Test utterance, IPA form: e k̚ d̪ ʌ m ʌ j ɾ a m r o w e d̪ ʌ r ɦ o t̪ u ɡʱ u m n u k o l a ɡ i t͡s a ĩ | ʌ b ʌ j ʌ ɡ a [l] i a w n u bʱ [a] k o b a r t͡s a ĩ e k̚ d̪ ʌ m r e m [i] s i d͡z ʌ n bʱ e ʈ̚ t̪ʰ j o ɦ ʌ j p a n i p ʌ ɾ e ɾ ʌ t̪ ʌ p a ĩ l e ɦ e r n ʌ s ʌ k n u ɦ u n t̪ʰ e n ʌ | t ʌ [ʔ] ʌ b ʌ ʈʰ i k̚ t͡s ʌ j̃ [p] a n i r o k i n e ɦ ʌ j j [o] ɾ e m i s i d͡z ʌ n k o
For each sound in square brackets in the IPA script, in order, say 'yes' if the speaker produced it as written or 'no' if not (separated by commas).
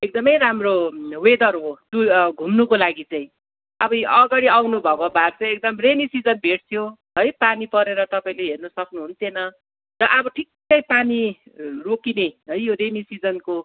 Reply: no, no, yes, yes, yes, yes